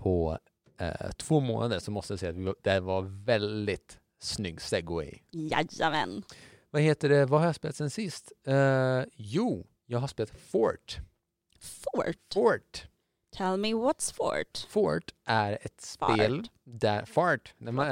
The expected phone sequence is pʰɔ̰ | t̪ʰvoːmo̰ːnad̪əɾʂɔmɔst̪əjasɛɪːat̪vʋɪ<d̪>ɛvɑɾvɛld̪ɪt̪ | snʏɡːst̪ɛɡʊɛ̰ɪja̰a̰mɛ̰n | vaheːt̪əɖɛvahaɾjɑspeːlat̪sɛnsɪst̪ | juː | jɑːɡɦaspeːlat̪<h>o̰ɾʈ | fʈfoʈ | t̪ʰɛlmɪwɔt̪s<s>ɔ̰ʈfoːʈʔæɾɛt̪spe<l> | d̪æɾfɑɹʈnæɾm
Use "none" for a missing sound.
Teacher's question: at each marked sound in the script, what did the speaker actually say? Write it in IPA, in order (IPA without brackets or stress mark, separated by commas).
d̪, f, f, l